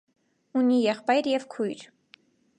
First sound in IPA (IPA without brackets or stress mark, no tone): u